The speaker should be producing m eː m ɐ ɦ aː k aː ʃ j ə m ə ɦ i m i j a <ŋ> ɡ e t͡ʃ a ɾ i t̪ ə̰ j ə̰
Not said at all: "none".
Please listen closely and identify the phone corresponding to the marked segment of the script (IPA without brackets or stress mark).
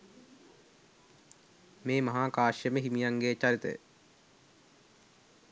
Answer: ŋ